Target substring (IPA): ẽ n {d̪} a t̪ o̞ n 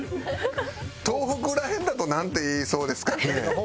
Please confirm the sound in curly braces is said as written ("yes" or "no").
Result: yes